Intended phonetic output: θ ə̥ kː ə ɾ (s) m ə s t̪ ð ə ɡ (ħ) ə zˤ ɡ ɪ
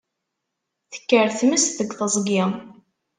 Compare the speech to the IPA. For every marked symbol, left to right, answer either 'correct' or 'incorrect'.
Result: incorrect, incorrect

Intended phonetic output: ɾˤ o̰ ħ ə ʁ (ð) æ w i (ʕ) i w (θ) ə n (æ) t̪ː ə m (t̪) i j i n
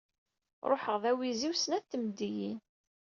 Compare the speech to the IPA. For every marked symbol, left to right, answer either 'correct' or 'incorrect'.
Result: correct, incorrect, incorrect, correct, incorrect

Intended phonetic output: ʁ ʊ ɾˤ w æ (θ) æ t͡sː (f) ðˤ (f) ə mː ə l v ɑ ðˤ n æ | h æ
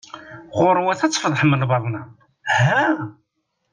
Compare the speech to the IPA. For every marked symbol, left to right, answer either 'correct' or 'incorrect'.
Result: correct, correct, incorrect

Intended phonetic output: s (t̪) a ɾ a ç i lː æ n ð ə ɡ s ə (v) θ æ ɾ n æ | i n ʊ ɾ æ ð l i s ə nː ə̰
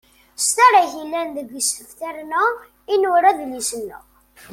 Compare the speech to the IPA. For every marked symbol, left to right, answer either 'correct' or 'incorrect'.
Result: correct, incorrect

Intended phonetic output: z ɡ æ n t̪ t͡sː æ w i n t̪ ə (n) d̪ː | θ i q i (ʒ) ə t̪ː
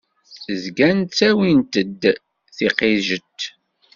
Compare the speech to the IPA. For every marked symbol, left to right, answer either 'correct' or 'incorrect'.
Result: incorrect, correct

